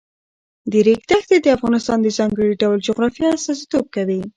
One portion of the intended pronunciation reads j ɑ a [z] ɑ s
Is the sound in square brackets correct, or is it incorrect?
incorrect